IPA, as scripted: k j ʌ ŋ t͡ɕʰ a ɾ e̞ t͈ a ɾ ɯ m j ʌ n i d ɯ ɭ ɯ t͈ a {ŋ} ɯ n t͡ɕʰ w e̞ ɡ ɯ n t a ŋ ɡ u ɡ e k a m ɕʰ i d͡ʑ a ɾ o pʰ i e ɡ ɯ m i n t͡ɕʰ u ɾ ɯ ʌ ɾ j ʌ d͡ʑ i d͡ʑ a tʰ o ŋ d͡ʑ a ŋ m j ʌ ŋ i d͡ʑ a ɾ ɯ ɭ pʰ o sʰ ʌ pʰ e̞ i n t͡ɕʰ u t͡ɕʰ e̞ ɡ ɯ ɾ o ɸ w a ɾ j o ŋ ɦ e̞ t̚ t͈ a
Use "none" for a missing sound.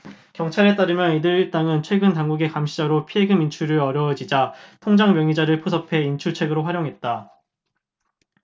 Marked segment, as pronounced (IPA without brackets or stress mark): ŋ